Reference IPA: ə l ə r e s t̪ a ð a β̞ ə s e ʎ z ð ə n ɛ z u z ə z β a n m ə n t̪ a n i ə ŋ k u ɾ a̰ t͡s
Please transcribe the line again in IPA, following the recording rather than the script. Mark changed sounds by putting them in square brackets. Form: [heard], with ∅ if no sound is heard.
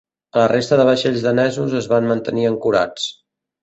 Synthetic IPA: ə l ə r e s t̪ [ə] ð [ə] β̞ ə [ʃ] e ʎ z ð ə n ɛ z u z ə z β a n m ə n t̪ [ə] n i ə ŋ k u ɾ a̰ t͡s